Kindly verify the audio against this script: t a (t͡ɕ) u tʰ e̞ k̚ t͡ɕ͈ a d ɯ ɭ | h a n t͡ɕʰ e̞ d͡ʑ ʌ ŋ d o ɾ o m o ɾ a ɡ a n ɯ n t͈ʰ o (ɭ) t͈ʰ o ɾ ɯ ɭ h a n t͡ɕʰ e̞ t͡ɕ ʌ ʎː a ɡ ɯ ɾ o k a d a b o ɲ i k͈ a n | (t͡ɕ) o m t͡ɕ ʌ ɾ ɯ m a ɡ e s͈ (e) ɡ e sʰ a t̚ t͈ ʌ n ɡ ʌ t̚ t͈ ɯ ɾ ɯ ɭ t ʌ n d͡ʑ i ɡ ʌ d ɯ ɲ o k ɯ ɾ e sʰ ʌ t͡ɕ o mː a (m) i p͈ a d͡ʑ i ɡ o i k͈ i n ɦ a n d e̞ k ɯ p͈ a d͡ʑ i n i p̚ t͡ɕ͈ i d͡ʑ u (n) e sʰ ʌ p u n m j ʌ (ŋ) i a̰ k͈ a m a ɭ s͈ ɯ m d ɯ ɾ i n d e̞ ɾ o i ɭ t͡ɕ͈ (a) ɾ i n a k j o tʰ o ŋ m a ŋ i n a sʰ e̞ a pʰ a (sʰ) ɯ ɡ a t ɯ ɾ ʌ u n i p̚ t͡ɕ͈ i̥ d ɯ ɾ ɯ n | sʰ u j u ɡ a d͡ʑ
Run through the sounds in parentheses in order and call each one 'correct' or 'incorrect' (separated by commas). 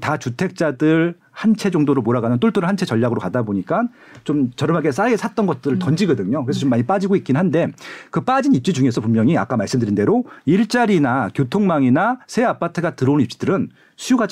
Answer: correct, correct, correct, incorrect, incorrect, incorrect, correct, correct, incorrect